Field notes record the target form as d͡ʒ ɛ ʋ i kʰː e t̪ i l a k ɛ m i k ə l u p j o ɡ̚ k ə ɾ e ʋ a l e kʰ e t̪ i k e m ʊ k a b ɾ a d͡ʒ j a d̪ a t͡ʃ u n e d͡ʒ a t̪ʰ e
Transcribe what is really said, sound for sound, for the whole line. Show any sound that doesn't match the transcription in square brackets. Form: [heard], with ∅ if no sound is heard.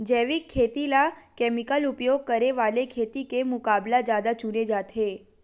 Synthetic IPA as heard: d͡ʒ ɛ ʋ i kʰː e t̪ i l a k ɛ m i k ə l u p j o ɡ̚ k ə ɾ e ʋ a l e kʰ e t̪ i k e m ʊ k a b [l] a d͡ʒ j a d̪ a t͡ʃ u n e d͡ʒ a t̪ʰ e